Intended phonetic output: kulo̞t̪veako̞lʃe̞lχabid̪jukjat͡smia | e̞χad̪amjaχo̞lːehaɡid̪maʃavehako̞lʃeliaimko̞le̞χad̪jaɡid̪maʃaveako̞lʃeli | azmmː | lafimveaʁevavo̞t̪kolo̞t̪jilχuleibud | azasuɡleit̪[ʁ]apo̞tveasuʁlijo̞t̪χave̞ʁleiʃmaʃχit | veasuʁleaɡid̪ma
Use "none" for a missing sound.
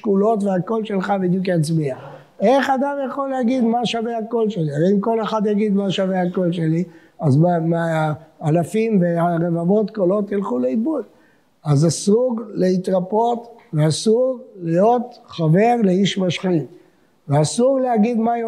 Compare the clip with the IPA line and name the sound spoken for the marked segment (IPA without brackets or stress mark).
ʁ